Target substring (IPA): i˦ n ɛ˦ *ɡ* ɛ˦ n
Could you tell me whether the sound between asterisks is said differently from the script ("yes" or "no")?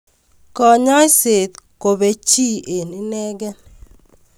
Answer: no